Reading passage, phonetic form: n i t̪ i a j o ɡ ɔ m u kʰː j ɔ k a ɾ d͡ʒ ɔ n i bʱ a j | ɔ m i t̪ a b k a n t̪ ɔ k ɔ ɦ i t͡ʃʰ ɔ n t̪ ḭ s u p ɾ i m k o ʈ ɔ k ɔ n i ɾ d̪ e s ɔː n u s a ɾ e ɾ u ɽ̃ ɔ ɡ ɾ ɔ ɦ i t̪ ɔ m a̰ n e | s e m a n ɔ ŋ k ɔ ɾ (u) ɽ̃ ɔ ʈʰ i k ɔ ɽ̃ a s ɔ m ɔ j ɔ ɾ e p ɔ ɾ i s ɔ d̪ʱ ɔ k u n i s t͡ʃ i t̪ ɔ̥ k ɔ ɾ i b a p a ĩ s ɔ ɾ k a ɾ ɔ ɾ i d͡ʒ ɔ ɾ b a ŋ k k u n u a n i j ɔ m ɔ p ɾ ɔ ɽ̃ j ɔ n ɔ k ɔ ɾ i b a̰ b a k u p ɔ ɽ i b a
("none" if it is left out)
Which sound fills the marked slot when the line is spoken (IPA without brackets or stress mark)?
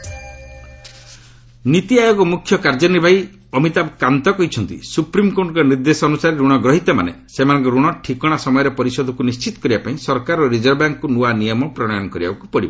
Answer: u